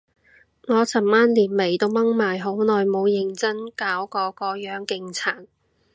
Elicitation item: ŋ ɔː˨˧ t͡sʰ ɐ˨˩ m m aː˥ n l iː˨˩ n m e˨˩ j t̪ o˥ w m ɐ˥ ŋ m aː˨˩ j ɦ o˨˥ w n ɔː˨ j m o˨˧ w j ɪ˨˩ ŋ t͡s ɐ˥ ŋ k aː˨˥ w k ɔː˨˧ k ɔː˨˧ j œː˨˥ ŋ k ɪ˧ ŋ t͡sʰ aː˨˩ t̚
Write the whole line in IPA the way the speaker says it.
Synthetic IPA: ŋ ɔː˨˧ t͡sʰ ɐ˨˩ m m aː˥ n l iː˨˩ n m e˨˩ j t̪ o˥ w m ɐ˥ ŋ m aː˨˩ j ɦ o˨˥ w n ɔː˨ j m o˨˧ w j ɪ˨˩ ŋ t͡s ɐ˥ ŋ k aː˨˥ w k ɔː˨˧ k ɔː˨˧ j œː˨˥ ŋ k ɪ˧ ŋ t͡sʰ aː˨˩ t̚